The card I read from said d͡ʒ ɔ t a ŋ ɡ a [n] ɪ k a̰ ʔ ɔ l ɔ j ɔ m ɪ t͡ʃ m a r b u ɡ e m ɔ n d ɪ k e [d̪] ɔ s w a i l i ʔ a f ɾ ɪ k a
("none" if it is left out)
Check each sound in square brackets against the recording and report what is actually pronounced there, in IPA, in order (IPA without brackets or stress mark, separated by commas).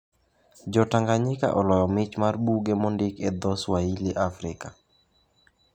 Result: ɲ, d̪